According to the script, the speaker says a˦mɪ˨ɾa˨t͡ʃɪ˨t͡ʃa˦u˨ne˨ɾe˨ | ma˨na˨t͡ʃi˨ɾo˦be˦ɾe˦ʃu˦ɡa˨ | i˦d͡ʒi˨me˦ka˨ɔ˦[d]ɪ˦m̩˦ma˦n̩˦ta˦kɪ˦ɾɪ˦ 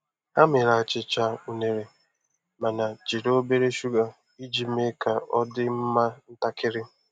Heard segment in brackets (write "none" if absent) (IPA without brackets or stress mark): d